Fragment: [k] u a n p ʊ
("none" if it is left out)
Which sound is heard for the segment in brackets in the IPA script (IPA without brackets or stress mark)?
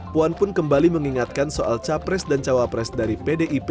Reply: p